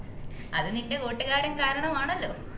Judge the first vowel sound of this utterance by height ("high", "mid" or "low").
low